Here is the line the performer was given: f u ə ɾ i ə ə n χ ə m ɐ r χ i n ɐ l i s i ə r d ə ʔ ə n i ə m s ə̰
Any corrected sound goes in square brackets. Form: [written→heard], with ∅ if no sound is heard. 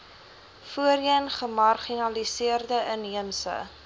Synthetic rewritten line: f u ə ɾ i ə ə n χ ə m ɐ r χ i n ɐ l i s i ə r d ə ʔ ə n i ə m s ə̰